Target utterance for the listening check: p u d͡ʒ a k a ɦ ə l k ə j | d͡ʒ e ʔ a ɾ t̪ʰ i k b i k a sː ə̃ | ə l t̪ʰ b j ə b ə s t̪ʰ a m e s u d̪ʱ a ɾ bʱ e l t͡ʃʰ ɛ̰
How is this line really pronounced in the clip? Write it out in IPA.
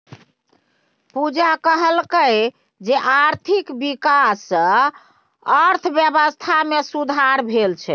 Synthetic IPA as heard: p u d͡ʒ a k ə ɦ ə l k ə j | d͡ʒ e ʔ a ɾ t̪ʰ i k b i k a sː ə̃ | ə ɾ t̪ʰ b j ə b ə s t̪ʰ a m e s u d̪ʱ a ɾ bʱ e l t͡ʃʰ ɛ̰